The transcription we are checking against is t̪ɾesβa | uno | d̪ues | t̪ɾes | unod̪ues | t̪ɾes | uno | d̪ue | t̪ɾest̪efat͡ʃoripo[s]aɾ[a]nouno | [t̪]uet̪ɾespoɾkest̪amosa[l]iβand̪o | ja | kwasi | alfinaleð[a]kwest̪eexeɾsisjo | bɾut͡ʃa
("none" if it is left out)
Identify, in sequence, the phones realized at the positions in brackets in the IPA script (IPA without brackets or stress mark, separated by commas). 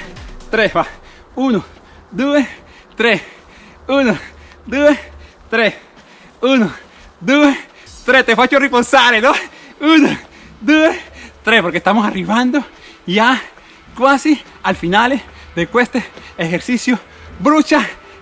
s, e, d̪, r, e